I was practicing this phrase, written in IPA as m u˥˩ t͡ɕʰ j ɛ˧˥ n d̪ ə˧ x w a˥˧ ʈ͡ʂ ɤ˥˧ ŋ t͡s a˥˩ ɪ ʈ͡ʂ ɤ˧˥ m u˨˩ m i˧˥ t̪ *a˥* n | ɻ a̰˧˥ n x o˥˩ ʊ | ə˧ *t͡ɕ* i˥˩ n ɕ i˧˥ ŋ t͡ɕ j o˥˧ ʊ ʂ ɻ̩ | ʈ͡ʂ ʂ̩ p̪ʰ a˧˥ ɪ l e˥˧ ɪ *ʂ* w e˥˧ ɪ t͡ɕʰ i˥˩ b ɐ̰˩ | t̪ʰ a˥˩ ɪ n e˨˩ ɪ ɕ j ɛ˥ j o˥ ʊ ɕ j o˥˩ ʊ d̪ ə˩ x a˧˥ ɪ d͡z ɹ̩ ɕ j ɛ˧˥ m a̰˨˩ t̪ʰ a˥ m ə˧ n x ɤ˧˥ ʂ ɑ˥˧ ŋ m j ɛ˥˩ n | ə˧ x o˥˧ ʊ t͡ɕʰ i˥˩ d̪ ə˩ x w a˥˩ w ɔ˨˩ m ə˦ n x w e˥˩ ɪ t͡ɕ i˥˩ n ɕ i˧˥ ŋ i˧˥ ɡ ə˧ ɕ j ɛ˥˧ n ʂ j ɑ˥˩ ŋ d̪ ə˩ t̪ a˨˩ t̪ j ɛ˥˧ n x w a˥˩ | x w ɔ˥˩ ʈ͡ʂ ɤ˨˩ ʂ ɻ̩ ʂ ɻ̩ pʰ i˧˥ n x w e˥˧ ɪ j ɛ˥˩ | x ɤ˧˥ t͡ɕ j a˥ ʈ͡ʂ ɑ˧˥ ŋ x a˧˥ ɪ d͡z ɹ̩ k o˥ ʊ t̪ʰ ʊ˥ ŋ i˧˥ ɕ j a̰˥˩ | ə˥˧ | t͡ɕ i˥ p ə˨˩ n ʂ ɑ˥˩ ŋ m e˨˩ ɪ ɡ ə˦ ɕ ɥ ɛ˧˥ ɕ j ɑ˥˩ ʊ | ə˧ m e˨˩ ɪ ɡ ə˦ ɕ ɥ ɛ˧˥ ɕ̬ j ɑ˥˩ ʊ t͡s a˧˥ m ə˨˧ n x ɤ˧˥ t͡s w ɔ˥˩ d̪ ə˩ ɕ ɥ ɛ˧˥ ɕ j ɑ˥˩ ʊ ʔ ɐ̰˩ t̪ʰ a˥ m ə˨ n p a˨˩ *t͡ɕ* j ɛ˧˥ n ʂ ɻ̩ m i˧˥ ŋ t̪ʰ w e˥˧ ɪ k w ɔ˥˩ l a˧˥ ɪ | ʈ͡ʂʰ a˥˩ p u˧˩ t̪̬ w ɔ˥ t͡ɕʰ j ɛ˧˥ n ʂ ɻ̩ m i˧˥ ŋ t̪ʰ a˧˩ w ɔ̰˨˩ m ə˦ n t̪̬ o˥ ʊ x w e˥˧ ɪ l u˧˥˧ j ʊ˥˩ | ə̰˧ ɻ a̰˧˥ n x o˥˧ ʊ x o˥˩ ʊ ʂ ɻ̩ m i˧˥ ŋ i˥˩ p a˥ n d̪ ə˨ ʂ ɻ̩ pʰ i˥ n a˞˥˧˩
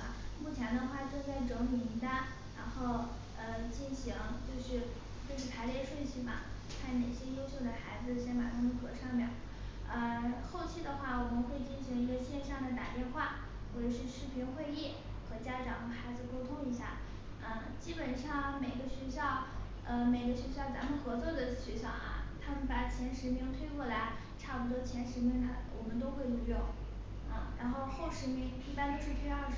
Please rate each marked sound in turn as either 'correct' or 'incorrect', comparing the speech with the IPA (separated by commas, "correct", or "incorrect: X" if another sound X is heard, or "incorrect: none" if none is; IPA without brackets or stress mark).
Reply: correct, correct, correct, incorrect: t͡ɕʰ